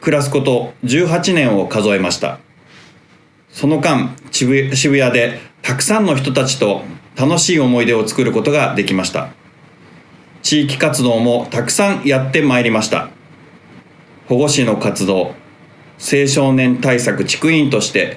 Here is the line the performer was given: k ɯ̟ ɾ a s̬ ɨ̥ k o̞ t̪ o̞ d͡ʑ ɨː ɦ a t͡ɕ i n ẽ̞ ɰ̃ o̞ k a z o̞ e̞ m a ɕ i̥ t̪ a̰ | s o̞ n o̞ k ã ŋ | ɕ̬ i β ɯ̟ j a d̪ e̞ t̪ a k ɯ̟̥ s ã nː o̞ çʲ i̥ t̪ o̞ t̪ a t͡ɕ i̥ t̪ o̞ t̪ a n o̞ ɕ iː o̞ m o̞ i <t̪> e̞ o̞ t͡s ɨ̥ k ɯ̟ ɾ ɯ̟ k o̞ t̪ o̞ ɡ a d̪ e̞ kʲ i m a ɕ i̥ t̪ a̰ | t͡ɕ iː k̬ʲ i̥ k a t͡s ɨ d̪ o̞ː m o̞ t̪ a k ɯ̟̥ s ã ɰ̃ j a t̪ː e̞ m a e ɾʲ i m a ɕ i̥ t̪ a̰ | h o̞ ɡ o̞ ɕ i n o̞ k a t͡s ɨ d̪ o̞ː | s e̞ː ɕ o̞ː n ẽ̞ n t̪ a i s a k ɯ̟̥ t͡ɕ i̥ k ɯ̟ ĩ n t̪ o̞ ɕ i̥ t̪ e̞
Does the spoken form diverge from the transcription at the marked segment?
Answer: yes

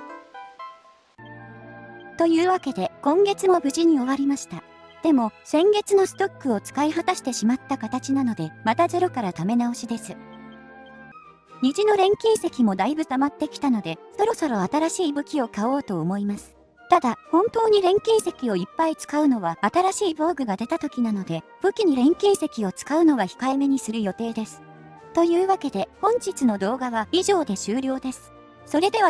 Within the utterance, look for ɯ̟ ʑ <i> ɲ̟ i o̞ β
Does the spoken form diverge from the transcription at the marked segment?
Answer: no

